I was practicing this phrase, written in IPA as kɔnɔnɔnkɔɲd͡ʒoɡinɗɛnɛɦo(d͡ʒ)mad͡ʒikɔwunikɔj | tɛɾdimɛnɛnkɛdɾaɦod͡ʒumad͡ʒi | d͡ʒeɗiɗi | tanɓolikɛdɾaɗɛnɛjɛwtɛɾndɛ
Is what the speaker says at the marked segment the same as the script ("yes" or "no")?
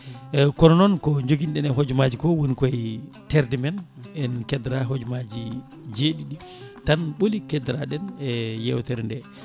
yes